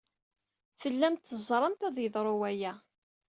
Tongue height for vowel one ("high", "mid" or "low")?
mid